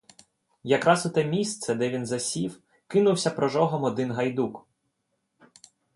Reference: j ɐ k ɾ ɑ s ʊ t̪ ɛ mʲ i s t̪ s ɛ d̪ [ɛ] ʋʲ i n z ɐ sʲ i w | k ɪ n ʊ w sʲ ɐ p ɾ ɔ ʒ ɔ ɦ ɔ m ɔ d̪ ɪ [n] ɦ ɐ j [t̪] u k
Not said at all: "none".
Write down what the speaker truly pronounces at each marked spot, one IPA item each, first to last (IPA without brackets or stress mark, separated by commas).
ɛ, n, d̪